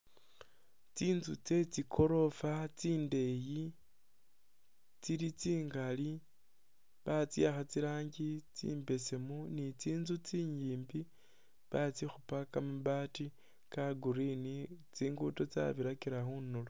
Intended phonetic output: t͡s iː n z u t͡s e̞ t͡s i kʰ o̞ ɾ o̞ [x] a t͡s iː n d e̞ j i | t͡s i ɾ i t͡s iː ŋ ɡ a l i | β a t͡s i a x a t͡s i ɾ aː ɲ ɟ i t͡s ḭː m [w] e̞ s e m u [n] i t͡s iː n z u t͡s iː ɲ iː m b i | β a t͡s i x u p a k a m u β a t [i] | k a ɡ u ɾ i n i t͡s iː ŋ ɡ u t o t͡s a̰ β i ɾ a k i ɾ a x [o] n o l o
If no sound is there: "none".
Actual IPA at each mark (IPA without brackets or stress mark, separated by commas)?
f, b, n, i, u